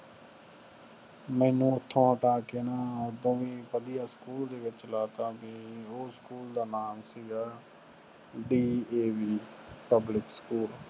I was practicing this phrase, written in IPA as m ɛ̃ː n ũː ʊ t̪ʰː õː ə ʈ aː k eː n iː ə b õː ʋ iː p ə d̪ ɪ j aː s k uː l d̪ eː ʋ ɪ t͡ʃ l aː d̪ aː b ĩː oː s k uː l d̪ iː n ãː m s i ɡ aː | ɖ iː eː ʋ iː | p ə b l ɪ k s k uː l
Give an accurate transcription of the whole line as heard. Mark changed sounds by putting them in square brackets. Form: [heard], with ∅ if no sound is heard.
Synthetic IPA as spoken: m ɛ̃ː n ũː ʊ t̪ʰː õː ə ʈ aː k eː n [aː] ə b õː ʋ iː p ə d̪ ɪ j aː s k uː l d̪ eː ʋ ɪ t͡ʃ l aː [t̪] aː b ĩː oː s k uː l d̪ [aː] n [aː] m s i ɡ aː | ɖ iː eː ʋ iː | p ə b l ɪ k s k uː l